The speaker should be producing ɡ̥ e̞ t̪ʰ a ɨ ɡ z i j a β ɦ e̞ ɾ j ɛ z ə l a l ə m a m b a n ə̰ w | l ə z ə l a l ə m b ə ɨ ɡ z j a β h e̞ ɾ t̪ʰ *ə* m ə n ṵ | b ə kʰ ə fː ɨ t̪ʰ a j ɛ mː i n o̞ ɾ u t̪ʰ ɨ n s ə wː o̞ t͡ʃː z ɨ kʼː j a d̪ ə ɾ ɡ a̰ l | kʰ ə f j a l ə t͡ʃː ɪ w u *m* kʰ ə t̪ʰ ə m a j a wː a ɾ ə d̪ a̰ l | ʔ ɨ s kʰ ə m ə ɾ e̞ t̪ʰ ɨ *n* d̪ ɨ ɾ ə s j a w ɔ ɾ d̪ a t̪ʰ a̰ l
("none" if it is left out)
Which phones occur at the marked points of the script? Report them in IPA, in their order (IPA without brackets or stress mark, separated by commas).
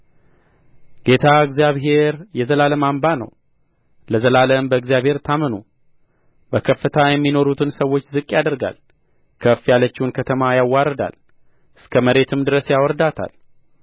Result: a, n, m